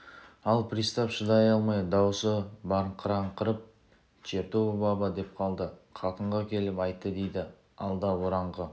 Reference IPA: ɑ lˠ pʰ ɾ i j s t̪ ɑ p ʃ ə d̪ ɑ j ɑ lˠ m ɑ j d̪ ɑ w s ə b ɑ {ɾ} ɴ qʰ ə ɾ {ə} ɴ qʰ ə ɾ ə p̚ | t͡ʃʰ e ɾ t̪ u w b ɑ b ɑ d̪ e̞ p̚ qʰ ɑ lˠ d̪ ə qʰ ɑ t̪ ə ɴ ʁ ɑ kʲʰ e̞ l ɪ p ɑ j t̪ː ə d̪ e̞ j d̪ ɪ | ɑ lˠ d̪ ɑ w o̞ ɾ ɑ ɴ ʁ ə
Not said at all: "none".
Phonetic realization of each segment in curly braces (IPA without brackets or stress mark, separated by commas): ɾ, ɑ